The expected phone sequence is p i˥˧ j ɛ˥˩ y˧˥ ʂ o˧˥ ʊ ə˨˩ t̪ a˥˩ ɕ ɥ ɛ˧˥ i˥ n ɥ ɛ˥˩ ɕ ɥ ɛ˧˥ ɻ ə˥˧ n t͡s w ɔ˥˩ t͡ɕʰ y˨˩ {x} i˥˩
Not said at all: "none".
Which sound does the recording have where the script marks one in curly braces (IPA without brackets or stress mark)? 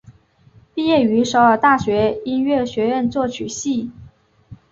ɕ